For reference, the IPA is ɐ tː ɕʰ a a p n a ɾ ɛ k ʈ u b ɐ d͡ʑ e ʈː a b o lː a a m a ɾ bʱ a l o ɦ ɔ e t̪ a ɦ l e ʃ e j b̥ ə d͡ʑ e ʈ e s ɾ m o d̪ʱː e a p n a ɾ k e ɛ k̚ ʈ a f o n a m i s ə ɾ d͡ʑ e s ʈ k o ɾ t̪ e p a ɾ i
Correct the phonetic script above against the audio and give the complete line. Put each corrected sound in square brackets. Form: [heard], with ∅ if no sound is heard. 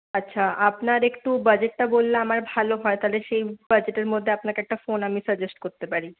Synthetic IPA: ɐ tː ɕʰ a a p n a ɾ [e] k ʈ u b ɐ d͡ʑ e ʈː a b o lː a a m a ɾ bʱ a l o ɦ ɔ e t̪ a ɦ l e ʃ e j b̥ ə d͡ʑ e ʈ e [∅] ɾ m o d̪ʱː e a p n a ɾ k e ɛ k̚ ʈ a f o n a m i s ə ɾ d͡ʑ e s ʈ k o ɾ t̪ e p a ɾ i